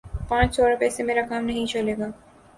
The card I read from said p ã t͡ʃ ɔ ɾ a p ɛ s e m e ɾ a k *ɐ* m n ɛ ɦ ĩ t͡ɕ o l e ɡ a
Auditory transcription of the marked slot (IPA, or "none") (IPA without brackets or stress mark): a